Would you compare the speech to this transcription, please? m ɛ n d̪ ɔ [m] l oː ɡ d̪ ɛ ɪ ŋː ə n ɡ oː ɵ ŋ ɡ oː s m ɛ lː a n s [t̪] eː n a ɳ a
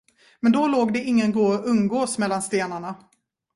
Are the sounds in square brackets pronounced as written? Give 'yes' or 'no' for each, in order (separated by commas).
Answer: no, yes